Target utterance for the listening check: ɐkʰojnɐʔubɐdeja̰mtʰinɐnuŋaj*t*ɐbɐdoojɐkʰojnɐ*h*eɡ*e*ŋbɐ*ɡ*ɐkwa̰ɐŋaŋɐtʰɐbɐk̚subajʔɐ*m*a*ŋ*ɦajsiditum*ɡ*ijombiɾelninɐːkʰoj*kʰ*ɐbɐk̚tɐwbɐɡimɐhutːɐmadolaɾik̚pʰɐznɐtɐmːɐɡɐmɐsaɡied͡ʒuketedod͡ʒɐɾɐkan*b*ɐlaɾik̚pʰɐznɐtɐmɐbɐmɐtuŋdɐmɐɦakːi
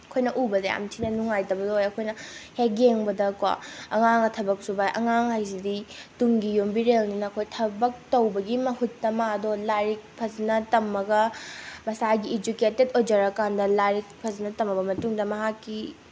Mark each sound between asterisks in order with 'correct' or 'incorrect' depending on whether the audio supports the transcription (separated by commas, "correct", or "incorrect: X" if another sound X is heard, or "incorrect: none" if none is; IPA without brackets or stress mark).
correct, correct, correct, incorrect: d, incorrect: ŋ, correct, correct, incorrect: tʰ, incorrect: d